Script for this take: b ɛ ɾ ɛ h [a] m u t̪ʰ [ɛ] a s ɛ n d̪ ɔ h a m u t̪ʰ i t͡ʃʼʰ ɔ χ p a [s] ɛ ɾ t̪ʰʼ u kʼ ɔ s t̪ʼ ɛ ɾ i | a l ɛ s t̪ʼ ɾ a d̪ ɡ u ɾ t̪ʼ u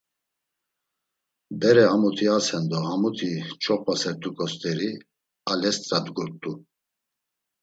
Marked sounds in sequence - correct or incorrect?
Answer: correct, incorrect: i, correct

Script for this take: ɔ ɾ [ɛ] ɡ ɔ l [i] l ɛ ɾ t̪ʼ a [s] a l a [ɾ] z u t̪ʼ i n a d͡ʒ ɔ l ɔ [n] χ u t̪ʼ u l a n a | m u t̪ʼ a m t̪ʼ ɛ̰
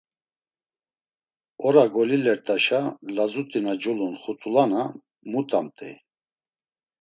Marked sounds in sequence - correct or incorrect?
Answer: incorrect: a, correct, incorrect: ʃ, incorrect: none, correct

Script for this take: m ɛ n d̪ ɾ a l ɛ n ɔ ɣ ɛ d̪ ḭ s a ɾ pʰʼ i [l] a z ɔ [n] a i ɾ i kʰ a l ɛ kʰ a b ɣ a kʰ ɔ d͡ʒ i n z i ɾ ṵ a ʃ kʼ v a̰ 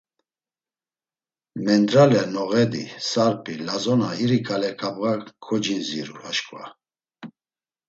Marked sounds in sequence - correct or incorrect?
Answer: correct, correct

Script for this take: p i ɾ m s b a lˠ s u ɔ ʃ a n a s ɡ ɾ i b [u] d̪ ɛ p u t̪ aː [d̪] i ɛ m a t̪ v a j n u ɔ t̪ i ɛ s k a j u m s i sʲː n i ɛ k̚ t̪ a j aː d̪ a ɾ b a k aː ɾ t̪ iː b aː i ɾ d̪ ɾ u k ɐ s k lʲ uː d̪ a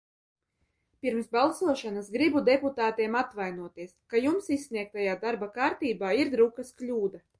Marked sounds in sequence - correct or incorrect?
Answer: correct, incorrect: t̪

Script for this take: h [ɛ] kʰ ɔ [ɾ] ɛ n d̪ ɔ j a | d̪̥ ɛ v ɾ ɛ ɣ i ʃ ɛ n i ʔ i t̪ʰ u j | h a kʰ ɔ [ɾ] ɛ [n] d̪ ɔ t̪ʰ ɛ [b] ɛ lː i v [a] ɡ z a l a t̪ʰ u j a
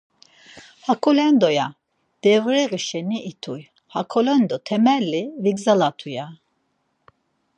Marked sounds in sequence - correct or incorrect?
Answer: incorrect: a, incorrect: l, incorrect: l, correct, incorrect: m, incorrect: i

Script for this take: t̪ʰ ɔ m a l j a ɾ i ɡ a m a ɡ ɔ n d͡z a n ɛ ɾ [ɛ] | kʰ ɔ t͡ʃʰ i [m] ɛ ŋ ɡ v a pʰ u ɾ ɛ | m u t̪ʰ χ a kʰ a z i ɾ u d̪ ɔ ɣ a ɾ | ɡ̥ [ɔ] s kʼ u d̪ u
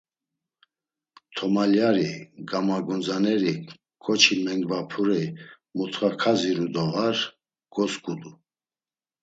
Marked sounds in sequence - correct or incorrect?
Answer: incorrect: i, correct, correct

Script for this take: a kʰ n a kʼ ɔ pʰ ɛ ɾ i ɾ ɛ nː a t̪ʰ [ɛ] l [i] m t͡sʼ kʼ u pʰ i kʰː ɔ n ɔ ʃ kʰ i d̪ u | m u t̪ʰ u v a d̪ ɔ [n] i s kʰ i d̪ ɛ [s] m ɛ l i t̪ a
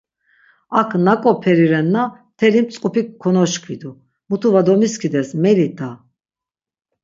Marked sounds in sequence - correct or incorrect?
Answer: correct, correct, incorrect: m, correct

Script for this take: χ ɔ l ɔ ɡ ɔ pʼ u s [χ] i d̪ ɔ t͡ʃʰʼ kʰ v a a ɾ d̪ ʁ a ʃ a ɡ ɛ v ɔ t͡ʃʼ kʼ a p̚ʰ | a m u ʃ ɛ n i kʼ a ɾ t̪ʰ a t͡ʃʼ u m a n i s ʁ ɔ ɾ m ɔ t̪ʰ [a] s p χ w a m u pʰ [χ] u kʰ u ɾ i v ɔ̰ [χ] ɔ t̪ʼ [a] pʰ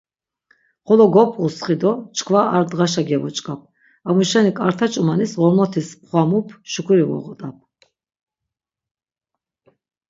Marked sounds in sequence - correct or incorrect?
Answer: correct, incorrect: i, incorrect: ʃ, incorrect: ʁ, correct

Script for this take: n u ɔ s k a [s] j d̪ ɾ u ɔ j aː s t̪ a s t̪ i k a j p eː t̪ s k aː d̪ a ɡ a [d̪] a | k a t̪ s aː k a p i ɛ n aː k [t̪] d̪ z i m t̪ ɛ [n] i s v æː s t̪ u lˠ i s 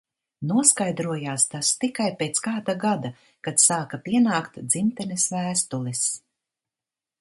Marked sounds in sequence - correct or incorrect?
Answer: incorrect: none, correct, correct, correct

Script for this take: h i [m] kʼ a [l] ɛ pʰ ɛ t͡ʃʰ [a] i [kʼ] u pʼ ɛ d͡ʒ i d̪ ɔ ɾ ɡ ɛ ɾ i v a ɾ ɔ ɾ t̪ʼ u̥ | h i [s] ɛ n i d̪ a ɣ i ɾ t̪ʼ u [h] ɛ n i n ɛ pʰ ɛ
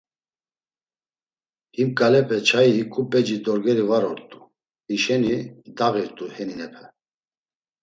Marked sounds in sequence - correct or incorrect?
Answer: correct, correct, correct, correct, incorrect: ʃ, correct

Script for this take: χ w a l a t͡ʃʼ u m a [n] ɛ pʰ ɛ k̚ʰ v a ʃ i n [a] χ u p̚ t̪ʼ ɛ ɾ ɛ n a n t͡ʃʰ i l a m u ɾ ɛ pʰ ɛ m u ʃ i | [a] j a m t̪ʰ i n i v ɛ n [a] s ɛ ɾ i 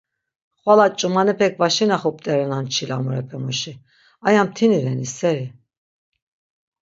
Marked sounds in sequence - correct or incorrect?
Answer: correct, correct, correct, incorrect: i

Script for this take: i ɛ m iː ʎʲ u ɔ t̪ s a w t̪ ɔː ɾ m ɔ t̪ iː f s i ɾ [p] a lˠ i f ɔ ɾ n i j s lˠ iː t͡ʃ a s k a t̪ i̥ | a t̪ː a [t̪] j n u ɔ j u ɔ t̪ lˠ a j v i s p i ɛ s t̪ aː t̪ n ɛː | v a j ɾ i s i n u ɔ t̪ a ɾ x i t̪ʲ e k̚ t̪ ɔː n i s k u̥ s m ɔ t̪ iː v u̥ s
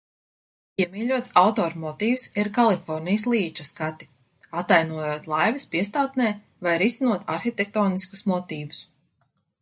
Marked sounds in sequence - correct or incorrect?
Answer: incorrect: k, incorrect: none

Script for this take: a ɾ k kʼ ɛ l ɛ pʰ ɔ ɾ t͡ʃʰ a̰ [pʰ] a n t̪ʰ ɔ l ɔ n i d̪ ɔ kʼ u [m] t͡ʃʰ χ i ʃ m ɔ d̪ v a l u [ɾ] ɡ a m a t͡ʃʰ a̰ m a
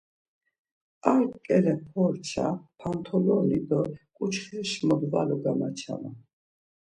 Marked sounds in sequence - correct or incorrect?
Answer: correct, incorrect: none, incorrect: none

